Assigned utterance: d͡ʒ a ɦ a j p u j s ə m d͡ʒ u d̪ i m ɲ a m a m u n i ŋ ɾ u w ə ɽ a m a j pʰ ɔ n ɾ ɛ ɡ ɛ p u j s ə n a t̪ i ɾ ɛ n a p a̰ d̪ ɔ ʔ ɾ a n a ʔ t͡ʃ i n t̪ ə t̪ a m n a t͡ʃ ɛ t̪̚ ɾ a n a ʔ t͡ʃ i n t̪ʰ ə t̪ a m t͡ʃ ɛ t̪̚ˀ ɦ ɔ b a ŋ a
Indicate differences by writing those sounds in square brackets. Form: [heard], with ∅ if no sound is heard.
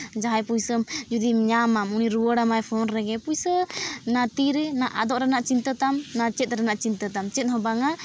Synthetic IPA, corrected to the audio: d͡ʒ a ɦ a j p u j s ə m d͡ʒ u d̪ i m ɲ a m a m u n i [∅] ɾ u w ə ɽ a m a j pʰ ɔ n ɾ ɛ ɡ ɛ p u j s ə n a t̪ i ɾ ɛ n a [ʔ] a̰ d̪ ɔ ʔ ɾ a n a ʔ t͡ʃ i n t̪ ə t̪ a m n a t͡ʃ ɛ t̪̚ ɾ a n a ʔ t͡ʃ i n [t̪] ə t̪ a m t͡ʃ ɛ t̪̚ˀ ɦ ɔ b a ŋ a